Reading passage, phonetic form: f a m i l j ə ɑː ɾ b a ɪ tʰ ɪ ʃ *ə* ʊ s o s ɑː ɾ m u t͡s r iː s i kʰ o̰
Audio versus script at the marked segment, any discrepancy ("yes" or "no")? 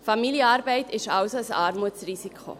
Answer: yes